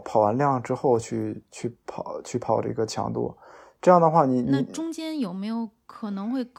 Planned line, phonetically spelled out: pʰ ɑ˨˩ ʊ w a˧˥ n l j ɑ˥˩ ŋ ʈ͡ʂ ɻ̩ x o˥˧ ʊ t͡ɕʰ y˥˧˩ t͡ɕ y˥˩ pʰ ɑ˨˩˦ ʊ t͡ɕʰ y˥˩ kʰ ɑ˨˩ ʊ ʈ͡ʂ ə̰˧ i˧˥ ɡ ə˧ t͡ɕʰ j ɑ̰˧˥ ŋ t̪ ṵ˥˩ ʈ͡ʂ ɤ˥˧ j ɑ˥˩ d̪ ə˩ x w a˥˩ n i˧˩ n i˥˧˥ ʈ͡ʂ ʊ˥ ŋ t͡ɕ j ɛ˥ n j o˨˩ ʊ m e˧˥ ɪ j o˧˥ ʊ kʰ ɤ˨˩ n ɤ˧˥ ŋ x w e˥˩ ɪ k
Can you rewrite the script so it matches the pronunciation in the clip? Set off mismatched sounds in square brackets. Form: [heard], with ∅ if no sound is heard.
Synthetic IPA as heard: pʰ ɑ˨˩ ʊ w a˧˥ n l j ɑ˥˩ ŋ ʈ͡ʂ ɻ̩ x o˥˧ ʊ t͡ɕʰ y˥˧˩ [t͡ɕʰ] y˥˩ pʰ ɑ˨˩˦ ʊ t͡ɕʰ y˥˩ [pʰ] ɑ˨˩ ʊ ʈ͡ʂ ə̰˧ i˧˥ ɡ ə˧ t͡ɕʰ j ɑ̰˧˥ ŋ t̪ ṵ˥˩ ʈ͡ʂ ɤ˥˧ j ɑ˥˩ d̪ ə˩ x w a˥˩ n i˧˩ n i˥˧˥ ʈ͡ʂ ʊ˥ ŋ t͡ɕ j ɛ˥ n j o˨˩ ʊ m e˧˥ ɪ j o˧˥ ʊ kʰ ɤ˨˩ n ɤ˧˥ ŋ x w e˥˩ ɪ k